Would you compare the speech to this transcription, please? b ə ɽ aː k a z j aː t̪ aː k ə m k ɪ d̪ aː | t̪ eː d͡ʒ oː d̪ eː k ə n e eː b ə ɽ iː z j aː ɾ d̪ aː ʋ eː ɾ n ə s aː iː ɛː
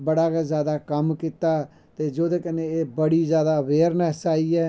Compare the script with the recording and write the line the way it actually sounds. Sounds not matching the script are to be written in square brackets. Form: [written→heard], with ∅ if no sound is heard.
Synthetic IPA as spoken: b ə ɽ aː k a z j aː [t̪→d̪] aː k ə m k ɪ [d̪→t̪] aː | t̪ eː d͡ʒ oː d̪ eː k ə n e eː b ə ɽ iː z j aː [ɾ→∅] d̪ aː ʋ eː ɾ n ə s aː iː ɛː